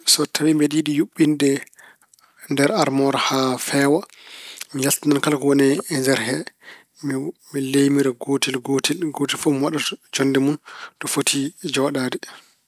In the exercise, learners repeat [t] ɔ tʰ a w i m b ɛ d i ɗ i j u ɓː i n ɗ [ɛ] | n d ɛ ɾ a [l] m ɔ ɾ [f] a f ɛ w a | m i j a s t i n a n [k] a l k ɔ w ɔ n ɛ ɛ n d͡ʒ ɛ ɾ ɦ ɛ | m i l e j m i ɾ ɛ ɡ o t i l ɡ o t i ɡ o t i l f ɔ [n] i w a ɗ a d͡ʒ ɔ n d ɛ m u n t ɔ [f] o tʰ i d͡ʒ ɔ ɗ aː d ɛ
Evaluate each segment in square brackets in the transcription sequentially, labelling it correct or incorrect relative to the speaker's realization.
incorrect, correct, incorrect, incorrect, correct, incorrect, correct

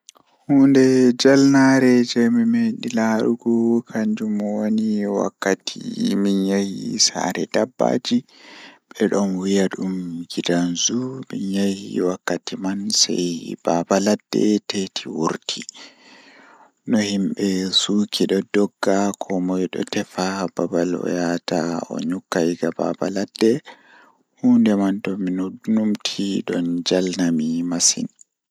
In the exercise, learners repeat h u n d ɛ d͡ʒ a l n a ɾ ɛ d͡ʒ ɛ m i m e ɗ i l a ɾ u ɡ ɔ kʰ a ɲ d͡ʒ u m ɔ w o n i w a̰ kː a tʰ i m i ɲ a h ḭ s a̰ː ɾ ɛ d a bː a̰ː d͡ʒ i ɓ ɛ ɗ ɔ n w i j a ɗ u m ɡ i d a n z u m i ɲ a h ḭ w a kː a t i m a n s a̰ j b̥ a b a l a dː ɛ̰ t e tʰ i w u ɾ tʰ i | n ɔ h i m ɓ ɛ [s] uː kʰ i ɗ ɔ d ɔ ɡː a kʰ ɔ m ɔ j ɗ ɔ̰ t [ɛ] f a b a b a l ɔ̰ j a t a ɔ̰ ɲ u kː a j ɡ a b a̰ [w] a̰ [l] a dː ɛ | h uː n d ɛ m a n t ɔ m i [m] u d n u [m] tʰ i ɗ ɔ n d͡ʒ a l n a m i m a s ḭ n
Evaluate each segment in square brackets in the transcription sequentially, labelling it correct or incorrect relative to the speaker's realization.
correct, correct, incorrect, correct, incorrect, correct

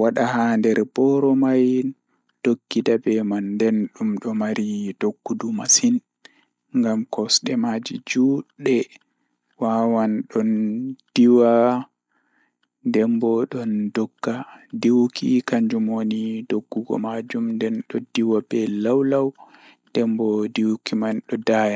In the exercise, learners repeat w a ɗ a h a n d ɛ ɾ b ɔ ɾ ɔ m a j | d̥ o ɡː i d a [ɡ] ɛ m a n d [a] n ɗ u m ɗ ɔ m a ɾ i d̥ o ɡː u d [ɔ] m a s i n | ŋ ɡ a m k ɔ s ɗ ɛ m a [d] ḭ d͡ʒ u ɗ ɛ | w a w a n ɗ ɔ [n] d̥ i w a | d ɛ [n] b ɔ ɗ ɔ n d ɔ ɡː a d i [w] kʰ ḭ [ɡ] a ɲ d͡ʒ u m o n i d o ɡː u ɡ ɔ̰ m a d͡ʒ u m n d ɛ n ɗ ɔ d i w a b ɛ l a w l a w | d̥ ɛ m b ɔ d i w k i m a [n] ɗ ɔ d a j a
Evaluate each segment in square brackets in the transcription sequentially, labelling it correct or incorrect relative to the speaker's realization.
incorrect, incorrect, incorrect, incorrect, correct, incorrect, correct, incorrect, correct

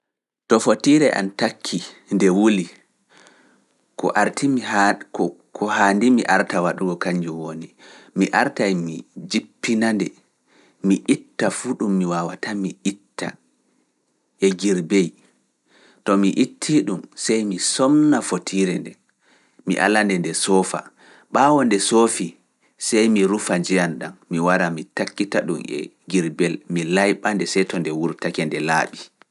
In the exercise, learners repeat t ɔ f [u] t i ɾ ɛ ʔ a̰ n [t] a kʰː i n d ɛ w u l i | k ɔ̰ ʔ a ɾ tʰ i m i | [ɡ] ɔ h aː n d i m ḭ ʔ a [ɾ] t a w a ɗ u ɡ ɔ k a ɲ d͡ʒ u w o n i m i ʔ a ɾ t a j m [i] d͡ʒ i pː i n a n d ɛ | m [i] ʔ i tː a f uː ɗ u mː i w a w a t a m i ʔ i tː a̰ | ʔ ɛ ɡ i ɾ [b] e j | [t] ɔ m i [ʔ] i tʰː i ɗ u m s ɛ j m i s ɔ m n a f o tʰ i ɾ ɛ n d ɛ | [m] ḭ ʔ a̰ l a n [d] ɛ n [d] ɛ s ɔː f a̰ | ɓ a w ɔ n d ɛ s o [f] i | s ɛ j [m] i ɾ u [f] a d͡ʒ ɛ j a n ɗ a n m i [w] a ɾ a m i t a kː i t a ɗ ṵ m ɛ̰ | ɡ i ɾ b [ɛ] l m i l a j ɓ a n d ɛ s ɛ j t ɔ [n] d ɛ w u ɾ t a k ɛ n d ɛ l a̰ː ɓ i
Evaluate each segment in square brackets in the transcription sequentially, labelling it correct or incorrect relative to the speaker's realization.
incorrect, correct, incorrect, correct, correct, correct, correct, correct, correct, correct, correct, correct, correct, correct, correct, correct, correct, correct

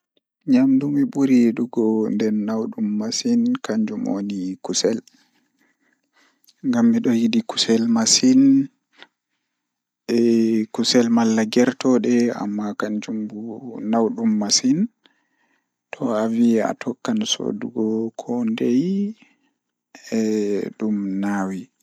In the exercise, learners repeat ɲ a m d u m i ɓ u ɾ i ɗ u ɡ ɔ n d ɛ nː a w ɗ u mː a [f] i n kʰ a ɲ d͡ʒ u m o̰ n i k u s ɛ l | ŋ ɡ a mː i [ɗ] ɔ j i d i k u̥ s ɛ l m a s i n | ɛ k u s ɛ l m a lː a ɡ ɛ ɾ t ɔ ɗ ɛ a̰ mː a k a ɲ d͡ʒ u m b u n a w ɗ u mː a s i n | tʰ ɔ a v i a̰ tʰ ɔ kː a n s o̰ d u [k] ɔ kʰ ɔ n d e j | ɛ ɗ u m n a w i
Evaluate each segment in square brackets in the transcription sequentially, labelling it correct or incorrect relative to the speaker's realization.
incorrect, correct, incorrect

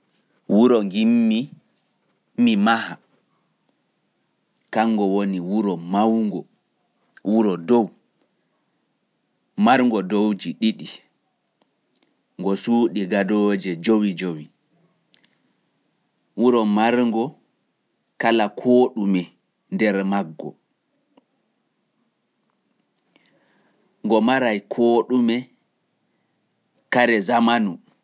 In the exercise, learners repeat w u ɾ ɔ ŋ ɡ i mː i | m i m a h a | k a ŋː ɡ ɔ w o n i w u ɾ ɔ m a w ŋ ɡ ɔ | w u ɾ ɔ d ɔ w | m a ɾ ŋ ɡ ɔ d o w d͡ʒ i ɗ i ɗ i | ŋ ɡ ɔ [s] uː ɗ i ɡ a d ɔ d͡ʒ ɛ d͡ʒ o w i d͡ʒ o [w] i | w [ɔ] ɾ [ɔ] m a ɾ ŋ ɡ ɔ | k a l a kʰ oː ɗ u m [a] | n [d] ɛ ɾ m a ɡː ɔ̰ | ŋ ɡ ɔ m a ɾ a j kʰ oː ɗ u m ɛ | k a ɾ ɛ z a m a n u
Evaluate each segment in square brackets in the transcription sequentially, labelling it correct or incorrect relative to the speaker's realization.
correct, correct, incorrect, correct, incorrect, correct

